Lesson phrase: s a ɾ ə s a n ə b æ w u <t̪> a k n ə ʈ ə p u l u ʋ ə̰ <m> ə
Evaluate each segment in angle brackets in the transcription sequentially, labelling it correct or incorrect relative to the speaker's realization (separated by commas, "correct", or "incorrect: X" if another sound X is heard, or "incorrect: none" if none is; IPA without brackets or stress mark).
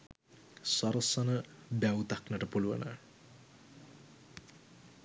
correct, incorrect: n